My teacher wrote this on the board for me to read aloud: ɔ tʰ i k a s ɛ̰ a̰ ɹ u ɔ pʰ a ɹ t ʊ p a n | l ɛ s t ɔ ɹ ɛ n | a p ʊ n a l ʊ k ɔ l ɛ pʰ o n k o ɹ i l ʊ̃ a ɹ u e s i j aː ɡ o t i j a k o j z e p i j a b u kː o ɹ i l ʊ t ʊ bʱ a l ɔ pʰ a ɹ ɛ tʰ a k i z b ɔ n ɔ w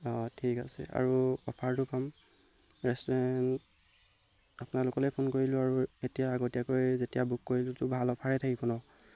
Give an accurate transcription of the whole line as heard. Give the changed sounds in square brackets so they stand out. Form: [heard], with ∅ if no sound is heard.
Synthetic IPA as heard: ɔ tʰ i k a s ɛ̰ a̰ ɹ u ɔ pʰ a ɹ t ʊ p a [m] | [ɹ] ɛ s t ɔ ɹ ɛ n | a p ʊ n a l ʊ k ɔ l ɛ pʰ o n k o ɹ i l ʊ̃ a ɹ u e [t] i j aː ɡ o t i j a k o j z e [t] i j a b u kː o ɹ i l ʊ t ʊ bʱ a l ɔ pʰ a ɹ ɛ tʰ a k i [∅] b ɔ n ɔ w